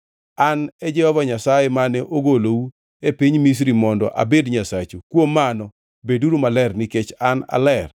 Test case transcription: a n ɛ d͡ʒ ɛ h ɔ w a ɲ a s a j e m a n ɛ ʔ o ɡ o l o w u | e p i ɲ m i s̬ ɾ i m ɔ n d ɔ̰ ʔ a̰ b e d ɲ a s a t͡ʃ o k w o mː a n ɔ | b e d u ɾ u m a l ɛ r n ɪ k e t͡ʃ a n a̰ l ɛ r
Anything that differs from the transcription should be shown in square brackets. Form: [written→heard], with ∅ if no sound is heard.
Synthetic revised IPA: a n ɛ d͡ʒ ɛ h ɔ [w→v] a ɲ a s a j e m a n ɛ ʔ o ɡ o l o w u | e p i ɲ m i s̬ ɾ i m ɔ n d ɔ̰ ʔ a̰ b e d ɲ a s a t͡ʃ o k w o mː a n ɔ | b e d u ɾ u m a l ɛ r n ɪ k e t͡ʃ a n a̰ l ɛ r